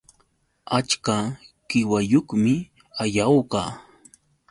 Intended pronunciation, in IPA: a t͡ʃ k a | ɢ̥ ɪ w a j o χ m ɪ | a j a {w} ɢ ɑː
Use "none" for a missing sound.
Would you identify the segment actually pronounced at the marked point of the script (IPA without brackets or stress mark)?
w